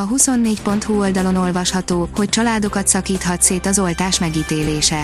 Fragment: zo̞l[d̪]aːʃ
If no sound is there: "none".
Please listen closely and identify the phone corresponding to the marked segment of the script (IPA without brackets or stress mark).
t̪